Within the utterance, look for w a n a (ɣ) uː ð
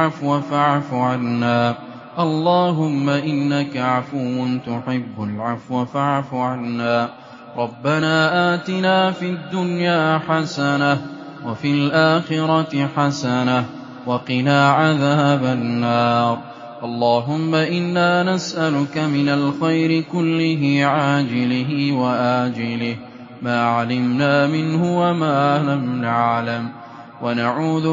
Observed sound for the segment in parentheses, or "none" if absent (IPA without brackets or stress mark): ʕ